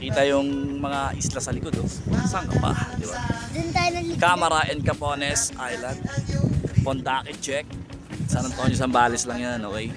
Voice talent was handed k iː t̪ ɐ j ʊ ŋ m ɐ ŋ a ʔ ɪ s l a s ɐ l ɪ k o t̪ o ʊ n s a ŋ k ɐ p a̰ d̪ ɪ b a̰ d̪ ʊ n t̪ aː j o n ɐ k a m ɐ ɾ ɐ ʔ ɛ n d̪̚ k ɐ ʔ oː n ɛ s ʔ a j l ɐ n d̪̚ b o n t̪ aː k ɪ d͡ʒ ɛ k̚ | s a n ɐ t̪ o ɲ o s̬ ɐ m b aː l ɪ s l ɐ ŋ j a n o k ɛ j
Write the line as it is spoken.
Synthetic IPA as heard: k iː t̪ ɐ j ʊ ŋ m ɐ ŋ a ʔ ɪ s l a s ɐ l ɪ k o d̪ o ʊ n s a ŋ k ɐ p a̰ d̪ ɪ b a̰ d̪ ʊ n t̪ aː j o n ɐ k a m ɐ ɾ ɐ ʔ ɛ n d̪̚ k ɐ p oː n ɛ s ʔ a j l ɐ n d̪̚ p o n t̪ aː k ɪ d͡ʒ ɛ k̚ | s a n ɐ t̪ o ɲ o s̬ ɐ m b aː l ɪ s l ɐ ŋ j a n o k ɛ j